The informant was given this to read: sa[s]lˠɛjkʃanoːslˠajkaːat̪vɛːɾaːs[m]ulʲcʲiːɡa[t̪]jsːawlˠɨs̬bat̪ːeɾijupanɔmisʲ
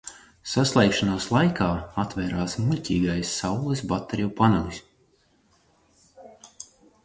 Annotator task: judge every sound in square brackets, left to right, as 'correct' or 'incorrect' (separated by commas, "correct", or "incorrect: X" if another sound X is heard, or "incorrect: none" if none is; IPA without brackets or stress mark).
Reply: correct, correct, incorrect: none